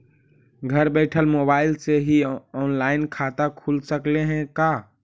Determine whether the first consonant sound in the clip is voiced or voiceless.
voiced